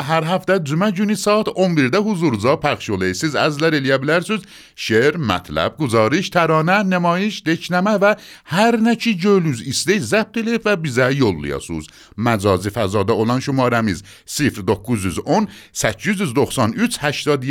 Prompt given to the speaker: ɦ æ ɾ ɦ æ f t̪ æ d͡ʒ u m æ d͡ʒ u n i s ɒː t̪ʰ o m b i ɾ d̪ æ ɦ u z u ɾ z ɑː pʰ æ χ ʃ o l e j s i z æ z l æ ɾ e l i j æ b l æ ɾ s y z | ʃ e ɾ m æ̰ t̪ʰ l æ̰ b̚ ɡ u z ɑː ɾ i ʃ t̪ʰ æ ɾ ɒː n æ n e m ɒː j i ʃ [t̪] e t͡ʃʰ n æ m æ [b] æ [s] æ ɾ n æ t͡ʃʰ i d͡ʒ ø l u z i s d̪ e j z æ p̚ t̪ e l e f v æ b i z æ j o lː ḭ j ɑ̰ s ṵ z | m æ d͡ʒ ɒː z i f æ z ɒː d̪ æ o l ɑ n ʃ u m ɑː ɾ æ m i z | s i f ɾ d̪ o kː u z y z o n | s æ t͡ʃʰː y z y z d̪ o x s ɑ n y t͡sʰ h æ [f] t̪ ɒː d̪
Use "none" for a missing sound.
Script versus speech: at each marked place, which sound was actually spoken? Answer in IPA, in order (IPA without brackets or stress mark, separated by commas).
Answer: d̪, v, h, ʃ